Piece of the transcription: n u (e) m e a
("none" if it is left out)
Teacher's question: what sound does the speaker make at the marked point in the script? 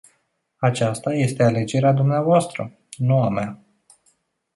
a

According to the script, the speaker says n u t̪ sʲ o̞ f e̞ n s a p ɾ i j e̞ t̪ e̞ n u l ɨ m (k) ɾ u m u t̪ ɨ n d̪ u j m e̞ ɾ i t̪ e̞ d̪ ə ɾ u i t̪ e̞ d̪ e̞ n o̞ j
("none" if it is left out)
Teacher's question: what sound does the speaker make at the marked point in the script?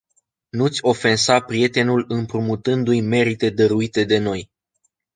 p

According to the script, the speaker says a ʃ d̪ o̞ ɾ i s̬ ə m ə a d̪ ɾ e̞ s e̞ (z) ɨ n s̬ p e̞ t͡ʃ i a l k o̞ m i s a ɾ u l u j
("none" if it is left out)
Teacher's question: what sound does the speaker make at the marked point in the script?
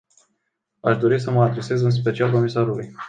z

